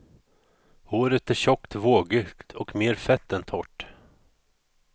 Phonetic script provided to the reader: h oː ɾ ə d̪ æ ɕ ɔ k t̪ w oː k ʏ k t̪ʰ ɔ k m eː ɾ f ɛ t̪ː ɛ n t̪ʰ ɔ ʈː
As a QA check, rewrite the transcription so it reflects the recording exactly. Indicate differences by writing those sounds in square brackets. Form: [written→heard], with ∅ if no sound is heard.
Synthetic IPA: h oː ɾ ə [d̪→t̪] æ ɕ ɔ k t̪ [w→v] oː [k→ɡ] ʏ k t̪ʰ ɔ k m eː ɾ f ɛ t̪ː ɛ n t̪ʰ ɔ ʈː